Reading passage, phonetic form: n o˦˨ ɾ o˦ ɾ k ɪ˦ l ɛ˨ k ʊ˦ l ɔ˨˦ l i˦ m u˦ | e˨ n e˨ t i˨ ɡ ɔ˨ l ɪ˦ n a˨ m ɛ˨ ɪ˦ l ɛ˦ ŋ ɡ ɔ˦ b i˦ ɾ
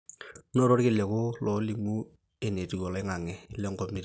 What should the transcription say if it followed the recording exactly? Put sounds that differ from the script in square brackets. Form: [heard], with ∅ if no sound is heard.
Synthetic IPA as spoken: n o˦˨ ɾ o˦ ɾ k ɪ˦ l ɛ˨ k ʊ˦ l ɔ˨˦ l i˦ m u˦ | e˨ n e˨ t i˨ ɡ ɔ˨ l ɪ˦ [ŋ] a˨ [ŋ] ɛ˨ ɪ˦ l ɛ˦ ŋ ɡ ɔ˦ [m] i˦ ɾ